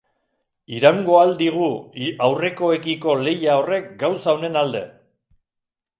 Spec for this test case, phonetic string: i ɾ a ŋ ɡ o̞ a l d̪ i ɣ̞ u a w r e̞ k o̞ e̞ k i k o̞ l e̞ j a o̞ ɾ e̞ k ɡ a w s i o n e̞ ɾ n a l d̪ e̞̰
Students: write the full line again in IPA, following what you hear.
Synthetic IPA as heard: i ɾ a ŋ ɡ o̞ a l d̪ i ɣ̞ u a w r e̞ k o̞ e̞ k i k o̞ l e̞ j a o̞ r e̞ k ɡ a w s a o n e̞ n a l d̪ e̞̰